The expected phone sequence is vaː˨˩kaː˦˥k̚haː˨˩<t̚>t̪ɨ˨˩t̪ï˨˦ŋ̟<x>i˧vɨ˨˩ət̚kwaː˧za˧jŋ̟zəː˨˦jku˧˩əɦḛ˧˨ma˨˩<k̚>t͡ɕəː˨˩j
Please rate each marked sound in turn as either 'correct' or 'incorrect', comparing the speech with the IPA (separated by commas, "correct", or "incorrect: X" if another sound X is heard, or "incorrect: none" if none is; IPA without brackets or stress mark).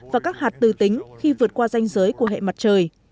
correct, correct, incorrect: t̚